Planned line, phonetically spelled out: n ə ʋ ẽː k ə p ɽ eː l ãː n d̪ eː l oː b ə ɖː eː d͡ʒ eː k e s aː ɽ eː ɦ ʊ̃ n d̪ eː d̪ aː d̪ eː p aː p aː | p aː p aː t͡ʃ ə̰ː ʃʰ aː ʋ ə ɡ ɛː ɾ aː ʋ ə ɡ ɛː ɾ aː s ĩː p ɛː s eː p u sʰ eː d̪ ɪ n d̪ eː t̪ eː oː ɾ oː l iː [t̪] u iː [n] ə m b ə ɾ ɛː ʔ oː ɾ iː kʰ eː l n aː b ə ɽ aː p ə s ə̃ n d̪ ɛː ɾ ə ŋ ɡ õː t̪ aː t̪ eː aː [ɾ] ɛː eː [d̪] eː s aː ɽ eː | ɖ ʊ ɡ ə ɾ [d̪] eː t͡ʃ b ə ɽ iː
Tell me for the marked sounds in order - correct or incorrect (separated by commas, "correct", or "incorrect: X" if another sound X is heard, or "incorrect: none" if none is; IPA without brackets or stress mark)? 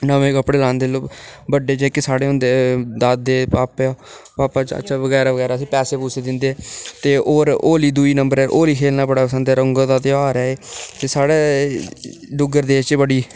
incorrect: d̪, correct, correct, incorrect: t̪, correct